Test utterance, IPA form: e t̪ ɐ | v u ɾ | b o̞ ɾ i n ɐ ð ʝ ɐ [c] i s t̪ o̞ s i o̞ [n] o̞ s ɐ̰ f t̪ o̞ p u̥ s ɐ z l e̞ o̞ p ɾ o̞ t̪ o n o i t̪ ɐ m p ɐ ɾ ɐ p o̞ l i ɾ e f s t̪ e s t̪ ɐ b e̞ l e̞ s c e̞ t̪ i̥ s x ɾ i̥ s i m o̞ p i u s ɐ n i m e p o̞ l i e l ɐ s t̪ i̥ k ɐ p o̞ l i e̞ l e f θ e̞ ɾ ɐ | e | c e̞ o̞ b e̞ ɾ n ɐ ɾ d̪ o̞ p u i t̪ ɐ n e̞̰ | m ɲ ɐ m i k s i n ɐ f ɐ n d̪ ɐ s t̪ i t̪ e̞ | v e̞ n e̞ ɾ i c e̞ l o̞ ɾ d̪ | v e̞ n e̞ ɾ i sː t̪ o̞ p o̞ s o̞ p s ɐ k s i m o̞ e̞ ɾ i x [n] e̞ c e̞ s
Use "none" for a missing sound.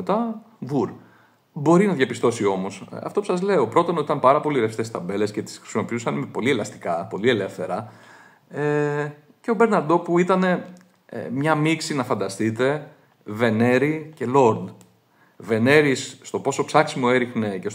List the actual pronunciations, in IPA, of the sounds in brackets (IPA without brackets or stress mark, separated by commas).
p, m, n